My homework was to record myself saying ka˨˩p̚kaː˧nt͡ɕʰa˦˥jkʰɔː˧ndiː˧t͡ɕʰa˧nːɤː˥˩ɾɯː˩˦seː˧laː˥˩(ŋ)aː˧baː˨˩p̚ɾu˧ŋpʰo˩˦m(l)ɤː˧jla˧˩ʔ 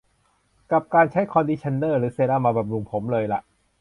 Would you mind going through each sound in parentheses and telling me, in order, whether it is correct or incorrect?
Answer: incorrect, correct

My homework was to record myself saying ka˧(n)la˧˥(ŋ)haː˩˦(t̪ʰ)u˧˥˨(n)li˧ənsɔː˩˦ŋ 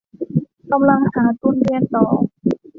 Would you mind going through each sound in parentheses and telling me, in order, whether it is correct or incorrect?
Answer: incorrect, correct, incorrect, correct

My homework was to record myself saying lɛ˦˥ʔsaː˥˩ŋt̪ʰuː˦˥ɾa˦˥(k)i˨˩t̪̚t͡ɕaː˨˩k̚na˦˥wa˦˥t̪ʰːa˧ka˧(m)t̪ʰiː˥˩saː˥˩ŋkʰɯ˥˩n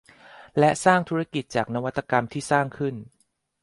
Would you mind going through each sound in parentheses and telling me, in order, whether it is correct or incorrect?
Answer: correct, correct

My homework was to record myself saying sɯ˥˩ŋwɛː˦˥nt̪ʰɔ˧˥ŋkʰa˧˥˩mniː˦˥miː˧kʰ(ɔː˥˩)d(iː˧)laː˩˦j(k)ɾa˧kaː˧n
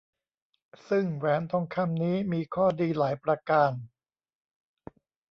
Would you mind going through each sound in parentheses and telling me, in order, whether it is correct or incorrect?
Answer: correct, correct, incorrect

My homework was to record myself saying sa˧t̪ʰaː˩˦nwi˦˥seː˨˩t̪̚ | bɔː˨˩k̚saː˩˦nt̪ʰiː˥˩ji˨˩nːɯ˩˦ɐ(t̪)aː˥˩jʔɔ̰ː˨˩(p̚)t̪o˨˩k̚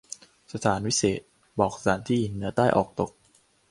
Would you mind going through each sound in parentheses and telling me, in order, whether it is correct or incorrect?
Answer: correct, incorrect

